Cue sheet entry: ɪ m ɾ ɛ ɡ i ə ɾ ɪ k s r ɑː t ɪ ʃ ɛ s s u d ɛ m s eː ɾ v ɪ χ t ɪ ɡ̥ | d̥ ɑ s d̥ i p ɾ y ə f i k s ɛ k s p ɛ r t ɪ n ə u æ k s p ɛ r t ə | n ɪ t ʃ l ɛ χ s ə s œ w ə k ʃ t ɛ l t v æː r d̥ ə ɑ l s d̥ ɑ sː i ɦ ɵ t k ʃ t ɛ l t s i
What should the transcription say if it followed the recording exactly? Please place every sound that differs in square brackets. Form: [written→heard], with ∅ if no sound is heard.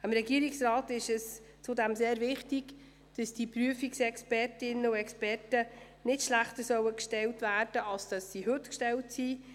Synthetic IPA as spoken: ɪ m ɾ ɛ ɡ i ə ɾ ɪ k s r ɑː t ɪ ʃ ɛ s [s→t͡s] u d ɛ m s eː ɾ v ɪ χ t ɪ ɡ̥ | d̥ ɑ s d̥ i p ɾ y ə f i k s ɛ k s p ɛ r t ɪ n ə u [æ→ɛ] k s p ɛ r t ə | n ɪ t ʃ l [ɛ→æ] χ [s→t] ə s œ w ə k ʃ t ɛ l t v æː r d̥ ə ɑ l s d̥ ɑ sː i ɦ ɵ t k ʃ t ɛ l t s i